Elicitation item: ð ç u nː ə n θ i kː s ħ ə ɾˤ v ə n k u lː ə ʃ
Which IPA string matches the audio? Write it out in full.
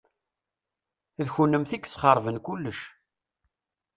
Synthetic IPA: ð ç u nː ə m θ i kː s χ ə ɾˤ v ə n k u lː ə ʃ